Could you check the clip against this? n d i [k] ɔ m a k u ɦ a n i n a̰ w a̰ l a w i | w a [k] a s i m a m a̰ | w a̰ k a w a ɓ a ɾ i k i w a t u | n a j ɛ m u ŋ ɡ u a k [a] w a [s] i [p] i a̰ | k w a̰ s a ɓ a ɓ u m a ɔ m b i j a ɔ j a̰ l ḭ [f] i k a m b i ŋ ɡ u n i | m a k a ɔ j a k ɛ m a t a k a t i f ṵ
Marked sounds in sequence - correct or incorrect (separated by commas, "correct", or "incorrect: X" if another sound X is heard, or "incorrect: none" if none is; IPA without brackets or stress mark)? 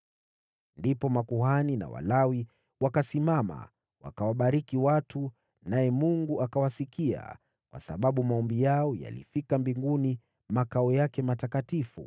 incorrect: p, correct, correct, correct, incorrect: k, correct